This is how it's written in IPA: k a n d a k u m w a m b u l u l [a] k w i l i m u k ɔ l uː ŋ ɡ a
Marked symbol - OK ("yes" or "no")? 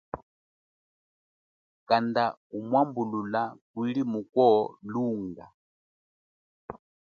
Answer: yes